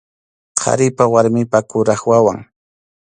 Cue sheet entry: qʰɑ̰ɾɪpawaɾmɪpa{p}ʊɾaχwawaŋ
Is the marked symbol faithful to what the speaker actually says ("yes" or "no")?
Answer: no